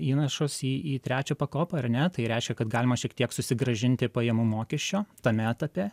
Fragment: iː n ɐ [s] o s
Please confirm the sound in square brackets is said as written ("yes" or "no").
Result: no